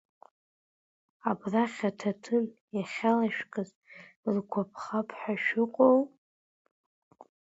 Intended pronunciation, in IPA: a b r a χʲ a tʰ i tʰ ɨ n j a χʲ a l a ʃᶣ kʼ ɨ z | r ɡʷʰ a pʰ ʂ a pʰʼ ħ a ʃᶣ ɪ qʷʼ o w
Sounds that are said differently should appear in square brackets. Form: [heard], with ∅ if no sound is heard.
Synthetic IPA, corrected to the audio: a b r a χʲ a tʰ [a] tʰ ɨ n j a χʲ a l a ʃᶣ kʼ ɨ z | r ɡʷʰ a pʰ [χ] a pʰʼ ħ a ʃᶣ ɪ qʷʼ o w

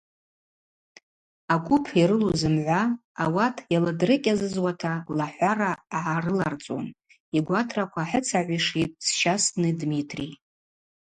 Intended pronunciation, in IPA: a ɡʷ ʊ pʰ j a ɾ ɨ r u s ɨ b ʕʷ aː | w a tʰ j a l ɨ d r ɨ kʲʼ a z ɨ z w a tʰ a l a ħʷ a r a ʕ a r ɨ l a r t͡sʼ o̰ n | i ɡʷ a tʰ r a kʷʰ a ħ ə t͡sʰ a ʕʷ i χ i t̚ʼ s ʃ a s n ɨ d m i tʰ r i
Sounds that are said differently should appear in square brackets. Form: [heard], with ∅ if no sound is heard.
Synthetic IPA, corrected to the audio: a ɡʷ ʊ pʰ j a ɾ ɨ [l] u [z] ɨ [m] ʕʷ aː | w a tʰ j a l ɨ d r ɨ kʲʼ a z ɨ z w a tʰ a l a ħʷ a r a ʕ a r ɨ l a r t͡sʼ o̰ n | i ɡʷ a tʰ r a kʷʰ a ħ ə t͡sʰ a ʕʷ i [ʂ] i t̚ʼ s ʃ a s n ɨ d m i tʰ r i

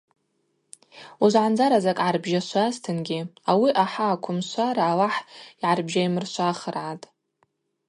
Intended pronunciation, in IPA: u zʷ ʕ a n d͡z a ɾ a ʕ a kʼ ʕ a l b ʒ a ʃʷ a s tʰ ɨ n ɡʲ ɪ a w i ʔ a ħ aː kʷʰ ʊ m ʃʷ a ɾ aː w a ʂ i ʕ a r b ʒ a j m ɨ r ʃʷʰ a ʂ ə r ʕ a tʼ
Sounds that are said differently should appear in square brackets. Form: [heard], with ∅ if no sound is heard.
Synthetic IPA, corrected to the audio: u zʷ ʕ a n d͡z a ɾ a [z] a kʼ ʕ a [r] b ʒ a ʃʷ a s tʰ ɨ n ɡʲ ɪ a w i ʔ a ħ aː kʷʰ ʊ m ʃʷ a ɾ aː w a [ħ] i ʕ a r b ʒ a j m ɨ r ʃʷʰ a [χ] ə r ʕ a tʼ

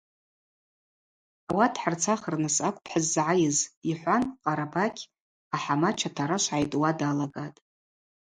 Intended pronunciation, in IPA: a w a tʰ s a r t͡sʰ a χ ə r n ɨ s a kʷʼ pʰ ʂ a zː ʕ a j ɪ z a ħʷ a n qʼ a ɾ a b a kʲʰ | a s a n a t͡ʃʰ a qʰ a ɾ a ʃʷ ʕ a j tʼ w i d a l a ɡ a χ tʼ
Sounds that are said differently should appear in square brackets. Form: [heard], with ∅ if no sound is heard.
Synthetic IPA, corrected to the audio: a w a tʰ [ħ] a r t͡sʰ a χ ə r n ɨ s a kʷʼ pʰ [ħ] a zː ʕ a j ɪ z [i] ħʷ a n qʼ a ɾ a b a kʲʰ | a [ħ] a [m] a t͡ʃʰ a [tʰ] a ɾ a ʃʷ ʕ a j tʼ w [a] d a l a ɡ a [∅] tʼ

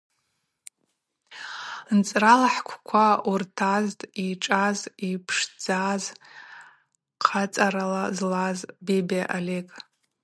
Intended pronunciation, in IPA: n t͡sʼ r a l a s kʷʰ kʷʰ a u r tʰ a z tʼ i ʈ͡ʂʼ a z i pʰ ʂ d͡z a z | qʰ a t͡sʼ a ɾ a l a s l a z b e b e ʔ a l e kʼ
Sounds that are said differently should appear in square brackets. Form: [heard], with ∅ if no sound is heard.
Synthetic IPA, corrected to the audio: n t͡sʼ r a l a [ħ] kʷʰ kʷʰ a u r tʰ a z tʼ i ʈ͡ʂʼ a z i pʰ ʂ d͡z a z | qʰ a t͡sʼ a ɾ a l a [z] l a z b e b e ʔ a l e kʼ

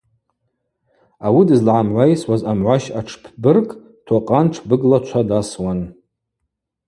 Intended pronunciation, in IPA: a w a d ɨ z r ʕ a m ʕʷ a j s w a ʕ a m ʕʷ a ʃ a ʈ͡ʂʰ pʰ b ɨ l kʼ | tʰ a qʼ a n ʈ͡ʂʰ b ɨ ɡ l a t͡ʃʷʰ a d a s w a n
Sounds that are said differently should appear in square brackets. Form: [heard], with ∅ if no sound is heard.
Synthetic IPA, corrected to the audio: a w [i] d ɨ z [l] ʕ a m ʕʷ a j s w a [z] a m ʕʷ a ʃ a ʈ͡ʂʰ pʰ b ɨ [r] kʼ | tʰ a qʼ a n ʈ͡ʂʰ b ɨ ɡ l a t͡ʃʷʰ a d a s w a n

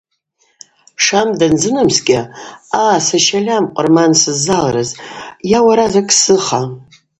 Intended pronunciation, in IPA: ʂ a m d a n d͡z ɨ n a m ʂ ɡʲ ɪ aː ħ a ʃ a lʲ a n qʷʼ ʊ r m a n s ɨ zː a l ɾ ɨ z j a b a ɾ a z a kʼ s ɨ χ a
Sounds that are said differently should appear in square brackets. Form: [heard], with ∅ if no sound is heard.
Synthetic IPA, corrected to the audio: ʂ a m d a n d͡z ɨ n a m [s] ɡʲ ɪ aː [s] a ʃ a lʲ a [m] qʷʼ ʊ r m a n s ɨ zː a l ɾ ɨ z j a [w] a ɾ a z a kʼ s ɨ χ a

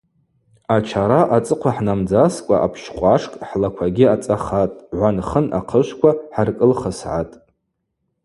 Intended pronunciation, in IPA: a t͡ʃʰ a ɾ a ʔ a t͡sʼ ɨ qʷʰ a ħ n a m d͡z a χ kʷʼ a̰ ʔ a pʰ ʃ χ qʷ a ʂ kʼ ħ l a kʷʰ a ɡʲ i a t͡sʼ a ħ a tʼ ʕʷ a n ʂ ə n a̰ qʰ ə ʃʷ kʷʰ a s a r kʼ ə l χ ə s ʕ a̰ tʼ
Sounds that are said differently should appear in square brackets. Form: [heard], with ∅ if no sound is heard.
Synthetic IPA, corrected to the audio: a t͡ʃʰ a ɾ a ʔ a t͡sʼ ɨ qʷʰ a ħ n a m d͡z a [s] kʷʼ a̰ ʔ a pʰ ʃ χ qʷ a ʂ kʼ ħ l a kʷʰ a ɡʲ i a t͡sʼ a [χ] a tʼ ʕʷ a n [χ] ə n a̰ qʰ ə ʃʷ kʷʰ a [ħ] a r kʼ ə l χ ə s ʕ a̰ tʼ

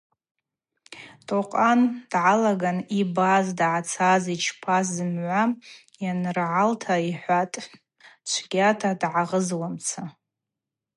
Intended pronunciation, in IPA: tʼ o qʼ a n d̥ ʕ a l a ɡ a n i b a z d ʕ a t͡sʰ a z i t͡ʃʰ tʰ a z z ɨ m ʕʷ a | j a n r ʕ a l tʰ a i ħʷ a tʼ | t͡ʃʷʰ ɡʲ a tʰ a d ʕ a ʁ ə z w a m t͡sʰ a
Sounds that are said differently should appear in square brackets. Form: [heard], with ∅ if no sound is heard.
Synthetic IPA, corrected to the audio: tʼ o qʼ a n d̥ ʕ a l a ɡ a n i b a z d ʕ a t͡sʰ a z i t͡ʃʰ [pʰ] a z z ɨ m ʕʷ a | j a n r ʕ a l tʰ a i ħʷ a tʼ | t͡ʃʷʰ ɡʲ a tʰ a d ʕ a ʁ ə z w a m t͡sʰ a

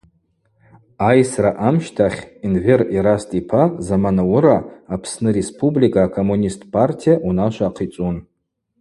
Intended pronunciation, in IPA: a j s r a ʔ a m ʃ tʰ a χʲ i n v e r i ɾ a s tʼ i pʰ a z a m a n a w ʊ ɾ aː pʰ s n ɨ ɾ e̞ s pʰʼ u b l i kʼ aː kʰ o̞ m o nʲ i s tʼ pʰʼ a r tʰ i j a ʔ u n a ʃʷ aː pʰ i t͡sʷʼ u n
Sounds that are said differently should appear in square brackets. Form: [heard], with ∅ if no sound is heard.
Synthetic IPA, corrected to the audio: a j s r a ʔ a m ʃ tʰ a χʲ i n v e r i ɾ a s tʼ i pʰ a z a m a n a w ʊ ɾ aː pʰ s n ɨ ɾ e̞ s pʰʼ u b l i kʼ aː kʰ o̞ m [u] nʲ i s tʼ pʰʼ a r tʰ i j a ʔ u n a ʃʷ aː [qʰ] i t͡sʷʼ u n

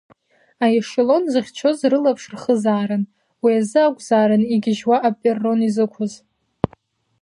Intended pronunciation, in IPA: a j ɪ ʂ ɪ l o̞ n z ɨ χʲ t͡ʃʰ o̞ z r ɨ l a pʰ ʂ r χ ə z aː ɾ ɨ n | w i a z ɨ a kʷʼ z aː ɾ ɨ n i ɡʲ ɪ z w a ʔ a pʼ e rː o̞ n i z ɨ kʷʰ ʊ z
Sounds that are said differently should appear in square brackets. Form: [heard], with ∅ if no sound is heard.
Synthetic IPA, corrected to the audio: a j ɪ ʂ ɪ l o̞ n z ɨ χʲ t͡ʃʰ o̞ z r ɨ l a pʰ ʂ r χ ə z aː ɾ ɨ n | w i a z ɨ a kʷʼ z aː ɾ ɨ n i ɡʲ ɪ [ʒ] w a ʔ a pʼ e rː o̞ n i z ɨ kʷʰ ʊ z

